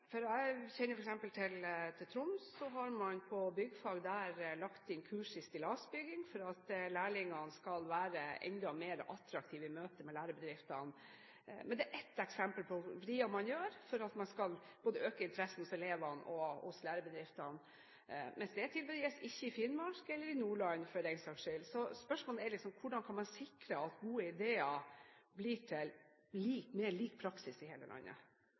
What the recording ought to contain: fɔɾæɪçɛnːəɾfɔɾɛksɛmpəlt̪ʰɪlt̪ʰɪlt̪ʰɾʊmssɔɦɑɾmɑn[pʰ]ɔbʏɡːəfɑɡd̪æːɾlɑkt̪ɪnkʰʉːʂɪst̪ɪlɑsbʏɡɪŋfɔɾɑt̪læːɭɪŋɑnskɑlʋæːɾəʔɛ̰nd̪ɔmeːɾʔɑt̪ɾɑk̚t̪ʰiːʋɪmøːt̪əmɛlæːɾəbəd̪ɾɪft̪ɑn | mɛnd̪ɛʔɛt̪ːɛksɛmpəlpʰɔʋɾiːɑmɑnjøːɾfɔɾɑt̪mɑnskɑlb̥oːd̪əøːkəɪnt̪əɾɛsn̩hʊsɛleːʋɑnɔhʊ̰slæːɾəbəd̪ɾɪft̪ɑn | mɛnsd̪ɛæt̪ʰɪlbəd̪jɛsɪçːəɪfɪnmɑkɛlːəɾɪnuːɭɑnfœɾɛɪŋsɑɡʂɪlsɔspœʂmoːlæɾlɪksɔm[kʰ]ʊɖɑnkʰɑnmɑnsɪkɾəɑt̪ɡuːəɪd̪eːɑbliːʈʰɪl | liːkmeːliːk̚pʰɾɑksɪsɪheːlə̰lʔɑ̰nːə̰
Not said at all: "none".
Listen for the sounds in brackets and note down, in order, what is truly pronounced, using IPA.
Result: pʰ, kʰ

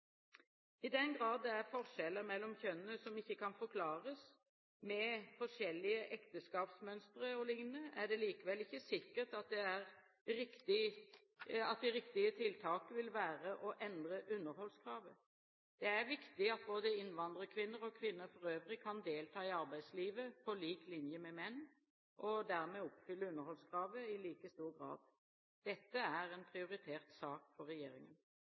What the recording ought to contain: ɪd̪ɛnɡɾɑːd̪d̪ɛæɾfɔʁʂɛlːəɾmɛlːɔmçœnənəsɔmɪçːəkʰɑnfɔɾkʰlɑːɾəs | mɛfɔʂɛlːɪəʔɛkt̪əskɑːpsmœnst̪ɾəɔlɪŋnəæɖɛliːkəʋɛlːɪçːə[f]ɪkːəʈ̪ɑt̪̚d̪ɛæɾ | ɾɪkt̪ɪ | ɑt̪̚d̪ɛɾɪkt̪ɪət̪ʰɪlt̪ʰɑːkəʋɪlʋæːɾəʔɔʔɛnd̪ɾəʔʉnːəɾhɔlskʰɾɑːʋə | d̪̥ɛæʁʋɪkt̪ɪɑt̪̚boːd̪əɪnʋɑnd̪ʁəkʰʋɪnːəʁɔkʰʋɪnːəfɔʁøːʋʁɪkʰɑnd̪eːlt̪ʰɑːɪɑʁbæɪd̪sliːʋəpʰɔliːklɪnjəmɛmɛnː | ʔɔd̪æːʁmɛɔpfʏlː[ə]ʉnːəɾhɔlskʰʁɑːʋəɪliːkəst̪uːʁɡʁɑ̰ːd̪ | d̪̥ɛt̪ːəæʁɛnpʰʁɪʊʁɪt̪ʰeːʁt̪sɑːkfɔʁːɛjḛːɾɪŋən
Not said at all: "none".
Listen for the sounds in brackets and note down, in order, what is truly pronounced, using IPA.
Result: s, ə

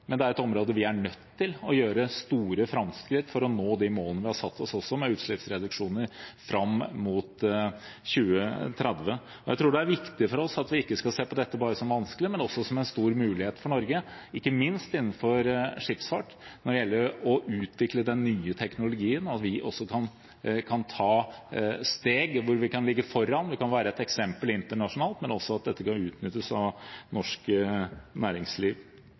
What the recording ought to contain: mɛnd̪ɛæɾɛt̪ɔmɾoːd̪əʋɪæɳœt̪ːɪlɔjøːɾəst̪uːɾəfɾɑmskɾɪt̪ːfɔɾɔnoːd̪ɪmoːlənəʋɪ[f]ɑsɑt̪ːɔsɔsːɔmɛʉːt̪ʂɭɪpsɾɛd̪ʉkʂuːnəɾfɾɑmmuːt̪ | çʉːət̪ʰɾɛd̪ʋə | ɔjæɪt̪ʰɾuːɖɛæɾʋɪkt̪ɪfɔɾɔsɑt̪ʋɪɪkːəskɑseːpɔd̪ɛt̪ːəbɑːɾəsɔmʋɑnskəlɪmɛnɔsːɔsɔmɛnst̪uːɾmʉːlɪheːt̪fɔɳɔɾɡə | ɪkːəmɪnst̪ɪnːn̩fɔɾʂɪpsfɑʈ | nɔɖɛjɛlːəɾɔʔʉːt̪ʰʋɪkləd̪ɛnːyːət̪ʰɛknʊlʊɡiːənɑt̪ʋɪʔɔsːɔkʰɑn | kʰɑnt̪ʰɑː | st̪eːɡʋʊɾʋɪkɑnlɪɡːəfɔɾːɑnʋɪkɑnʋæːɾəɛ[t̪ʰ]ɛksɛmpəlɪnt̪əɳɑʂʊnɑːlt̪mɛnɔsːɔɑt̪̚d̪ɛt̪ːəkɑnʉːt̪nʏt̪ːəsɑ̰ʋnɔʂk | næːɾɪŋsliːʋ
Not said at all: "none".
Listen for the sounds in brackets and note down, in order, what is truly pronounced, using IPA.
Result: h, t̪

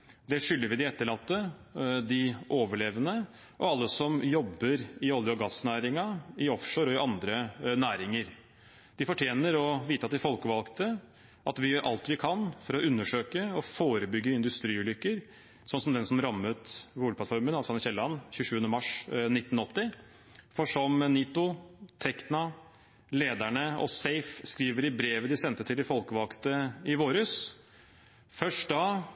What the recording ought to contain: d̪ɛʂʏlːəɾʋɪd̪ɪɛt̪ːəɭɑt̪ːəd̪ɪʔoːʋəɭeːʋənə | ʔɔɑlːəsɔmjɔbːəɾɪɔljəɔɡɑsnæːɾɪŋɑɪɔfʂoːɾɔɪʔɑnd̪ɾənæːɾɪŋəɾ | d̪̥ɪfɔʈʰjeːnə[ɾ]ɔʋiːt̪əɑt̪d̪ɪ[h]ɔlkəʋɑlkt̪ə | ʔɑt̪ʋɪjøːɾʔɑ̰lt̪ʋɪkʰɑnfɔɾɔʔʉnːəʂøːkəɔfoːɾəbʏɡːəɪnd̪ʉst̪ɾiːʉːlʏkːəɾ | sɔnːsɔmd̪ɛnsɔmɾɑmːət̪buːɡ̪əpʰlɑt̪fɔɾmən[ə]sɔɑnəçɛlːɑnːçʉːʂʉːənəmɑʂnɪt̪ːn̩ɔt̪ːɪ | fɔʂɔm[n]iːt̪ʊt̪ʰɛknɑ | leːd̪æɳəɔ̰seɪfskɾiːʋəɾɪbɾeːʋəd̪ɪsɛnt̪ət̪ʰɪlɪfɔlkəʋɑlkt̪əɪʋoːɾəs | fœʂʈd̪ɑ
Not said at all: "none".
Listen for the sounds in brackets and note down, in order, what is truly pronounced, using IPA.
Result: ɾ, f, ɑ, n

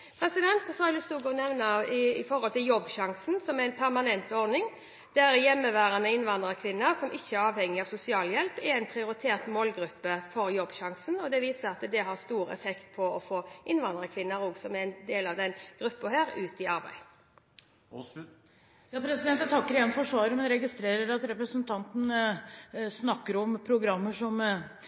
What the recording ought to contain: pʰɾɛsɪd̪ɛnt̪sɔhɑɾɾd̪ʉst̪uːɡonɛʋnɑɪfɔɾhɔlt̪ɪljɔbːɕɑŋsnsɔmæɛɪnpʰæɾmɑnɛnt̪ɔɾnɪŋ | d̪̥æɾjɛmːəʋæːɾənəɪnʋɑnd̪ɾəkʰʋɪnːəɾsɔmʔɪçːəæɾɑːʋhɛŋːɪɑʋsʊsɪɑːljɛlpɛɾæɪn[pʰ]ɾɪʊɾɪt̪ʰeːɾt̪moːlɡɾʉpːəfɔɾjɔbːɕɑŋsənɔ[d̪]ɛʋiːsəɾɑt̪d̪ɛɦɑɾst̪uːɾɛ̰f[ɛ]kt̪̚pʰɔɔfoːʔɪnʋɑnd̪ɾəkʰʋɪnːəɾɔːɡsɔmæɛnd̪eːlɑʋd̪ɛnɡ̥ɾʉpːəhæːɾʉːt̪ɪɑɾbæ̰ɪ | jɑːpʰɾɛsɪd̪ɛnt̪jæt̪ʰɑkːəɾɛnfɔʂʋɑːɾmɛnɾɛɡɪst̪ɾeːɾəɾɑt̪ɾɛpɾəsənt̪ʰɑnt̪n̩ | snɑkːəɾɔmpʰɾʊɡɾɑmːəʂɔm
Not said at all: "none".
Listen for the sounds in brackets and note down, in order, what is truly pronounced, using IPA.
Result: pʰ, d̪, ɛ

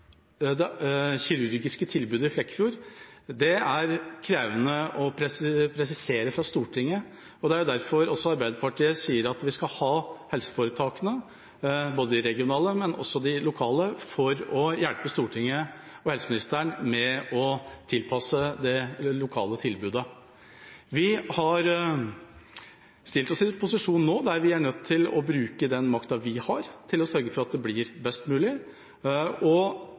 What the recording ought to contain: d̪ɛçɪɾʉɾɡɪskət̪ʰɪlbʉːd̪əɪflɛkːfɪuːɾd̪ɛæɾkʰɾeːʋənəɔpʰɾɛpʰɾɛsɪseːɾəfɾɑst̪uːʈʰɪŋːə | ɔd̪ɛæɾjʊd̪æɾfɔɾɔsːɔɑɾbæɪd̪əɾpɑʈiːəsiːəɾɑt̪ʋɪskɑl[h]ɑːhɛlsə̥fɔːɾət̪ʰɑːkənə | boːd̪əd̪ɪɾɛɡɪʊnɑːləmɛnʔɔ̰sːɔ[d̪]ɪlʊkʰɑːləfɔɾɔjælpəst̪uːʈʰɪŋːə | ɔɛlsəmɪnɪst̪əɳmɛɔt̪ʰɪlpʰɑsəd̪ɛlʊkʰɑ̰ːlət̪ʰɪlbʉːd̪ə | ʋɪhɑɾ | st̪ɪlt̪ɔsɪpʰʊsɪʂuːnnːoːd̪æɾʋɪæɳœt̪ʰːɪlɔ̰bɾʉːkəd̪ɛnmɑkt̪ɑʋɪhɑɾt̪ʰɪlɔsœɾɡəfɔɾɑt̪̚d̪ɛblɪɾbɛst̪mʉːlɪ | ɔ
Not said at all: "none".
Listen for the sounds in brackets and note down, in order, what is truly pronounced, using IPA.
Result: h, d̪

